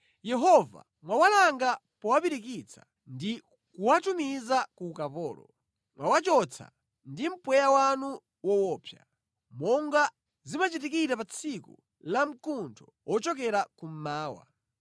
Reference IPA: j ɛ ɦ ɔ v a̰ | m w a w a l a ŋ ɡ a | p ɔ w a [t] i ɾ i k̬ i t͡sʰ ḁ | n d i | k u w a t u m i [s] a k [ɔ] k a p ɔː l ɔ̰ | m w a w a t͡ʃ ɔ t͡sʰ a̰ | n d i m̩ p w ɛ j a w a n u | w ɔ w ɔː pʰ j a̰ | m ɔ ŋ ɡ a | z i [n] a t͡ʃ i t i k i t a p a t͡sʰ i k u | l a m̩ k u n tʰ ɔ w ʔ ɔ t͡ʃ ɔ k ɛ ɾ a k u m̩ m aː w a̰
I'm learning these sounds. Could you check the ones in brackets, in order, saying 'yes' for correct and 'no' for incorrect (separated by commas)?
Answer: no, no, no, no